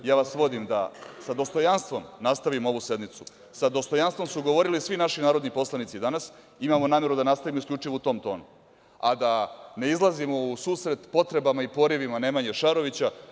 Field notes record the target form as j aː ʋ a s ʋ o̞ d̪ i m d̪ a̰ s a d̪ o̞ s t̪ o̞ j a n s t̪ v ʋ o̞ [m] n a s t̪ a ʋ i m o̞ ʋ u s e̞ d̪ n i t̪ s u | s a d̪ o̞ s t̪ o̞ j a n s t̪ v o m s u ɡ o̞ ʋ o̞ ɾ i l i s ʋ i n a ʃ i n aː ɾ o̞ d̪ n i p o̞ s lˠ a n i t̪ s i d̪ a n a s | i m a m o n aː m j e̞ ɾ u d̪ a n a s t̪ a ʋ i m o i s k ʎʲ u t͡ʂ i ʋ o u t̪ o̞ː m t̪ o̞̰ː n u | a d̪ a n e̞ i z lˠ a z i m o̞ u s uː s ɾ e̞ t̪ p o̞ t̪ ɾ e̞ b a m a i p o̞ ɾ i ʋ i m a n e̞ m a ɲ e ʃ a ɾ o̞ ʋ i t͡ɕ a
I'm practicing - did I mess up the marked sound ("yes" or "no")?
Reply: no